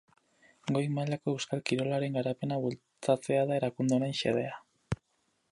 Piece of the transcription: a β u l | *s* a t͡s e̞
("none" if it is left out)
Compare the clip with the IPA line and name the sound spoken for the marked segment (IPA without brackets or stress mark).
t͡s